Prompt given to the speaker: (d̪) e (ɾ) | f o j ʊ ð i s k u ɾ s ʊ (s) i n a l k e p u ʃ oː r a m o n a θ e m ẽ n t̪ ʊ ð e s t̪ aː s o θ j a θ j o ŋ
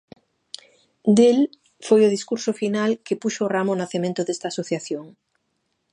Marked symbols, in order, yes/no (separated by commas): yes, no, no